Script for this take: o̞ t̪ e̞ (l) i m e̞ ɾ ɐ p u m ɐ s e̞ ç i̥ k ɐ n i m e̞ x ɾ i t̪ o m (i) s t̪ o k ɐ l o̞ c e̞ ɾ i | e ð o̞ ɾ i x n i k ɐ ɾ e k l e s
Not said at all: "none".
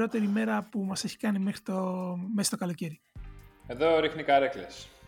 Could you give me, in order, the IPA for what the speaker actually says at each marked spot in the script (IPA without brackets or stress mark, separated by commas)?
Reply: ɾ, e